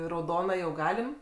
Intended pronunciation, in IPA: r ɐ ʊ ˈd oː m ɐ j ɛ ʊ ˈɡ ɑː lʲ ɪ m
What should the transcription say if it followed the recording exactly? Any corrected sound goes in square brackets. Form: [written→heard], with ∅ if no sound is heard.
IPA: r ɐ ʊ ˈd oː [m→n] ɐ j ɛ ʊ ˈɡ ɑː lʲ ɪ m